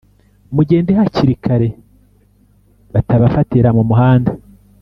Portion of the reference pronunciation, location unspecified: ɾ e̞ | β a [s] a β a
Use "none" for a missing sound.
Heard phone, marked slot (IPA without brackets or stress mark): t